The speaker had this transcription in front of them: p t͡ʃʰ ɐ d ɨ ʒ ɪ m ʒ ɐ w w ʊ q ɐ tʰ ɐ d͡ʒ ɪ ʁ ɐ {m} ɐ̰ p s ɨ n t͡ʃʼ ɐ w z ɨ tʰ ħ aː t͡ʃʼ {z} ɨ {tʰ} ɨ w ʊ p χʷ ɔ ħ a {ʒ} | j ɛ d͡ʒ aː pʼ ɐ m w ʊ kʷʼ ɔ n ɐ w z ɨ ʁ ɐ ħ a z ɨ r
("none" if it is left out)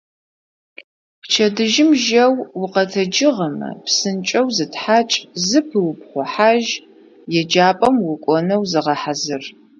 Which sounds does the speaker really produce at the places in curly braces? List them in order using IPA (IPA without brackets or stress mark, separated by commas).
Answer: m, z, pʰ, ʒ